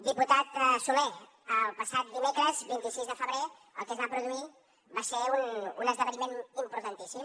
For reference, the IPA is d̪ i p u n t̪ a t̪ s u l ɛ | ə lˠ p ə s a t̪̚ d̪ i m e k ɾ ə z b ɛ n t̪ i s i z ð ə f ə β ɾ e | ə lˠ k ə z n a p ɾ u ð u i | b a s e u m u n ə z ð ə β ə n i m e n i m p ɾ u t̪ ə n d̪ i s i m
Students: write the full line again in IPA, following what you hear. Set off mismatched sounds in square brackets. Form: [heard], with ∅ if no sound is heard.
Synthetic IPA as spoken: d̪ i p u [∅] t̪ a t̪ s u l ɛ | ə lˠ p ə s a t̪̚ d̪ i m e k ɾ ə z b [i] n t̪ i s i z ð ə f ə β ɾ e | ə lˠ k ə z n a p ɾ u ð u i | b a s e u [n] u n ə z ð ə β ə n i m e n i m p ɾ u t̪ ə n [t̪] i s i m